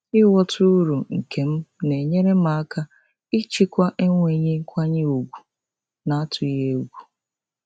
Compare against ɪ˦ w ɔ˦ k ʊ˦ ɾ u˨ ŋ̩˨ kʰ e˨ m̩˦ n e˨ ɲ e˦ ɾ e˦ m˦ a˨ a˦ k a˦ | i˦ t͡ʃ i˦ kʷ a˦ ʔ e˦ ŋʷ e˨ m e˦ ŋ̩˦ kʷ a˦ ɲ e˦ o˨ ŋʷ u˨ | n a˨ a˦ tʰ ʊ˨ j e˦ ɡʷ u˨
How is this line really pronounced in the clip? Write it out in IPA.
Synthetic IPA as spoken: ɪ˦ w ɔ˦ t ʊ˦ ɾ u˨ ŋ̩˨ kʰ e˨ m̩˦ n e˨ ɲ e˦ ɾ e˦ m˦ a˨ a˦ k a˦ | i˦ t͡ʃ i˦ kʷ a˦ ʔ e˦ ŋʷ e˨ ɲ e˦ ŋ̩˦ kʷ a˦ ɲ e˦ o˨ ɡʷ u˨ | n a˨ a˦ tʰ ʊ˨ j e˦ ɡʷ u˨